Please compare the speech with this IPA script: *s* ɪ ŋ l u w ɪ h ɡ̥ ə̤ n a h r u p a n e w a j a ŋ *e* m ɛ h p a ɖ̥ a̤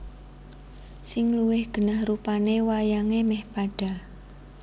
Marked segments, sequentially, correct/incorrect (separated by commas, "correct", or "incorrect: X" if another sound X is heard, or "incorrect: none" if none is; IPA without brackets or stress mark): correct, correct